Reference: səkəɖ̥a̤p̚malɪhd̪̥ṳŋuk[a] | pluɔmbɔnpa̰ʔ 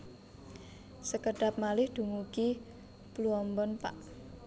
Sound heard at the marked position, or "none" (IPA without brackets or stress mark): i